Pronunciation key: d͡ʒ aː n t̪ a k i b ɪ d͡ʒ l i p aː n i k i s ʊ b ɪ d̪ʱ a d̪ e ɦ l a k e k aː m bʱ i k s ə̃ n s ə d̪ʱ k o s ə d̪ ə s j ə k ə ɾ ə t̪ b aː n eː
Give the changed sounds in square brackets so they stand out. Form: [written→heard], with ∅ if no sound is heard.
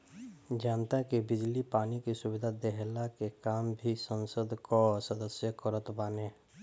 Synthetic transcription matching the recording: d͡ʒ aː n t̪ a k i b ɪ d͡ʒ l i p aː n i k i s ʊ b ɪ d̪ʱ a d̪ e ɦ l a k e k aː m bʱ i [k→∅] s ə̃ n s ə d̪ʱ k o s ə d̪ ə s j ə k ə ɾ ə t̪ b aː n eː